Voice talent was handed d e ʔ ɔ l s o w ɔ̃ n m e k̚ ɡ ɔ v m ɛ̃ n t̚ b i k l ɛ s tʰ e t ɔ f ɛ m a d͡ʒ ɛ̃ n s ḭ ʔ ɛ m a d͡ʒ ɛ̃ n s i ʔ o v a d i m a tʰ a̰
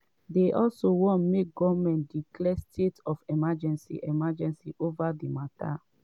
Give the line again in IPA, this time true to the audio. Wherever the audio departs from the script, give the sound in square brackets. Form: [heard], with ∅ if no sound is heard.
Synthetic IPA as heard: d e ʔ ɔ l s o w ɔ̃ n m e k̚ ɡ ɔ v m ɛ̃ n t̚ [d] i k l ɛ s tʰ e t ɔ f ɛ m a d͡ʒ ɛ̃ n s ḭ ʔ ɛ m a d͡ʒ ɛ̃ n s i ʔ o v a d i m a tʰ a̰